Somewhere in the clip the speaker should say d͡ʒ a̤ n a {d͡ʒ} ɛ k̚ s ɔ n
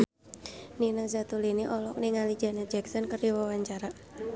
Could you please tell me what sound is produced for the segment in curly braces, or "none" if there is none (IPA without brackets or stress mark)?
d͡ʒ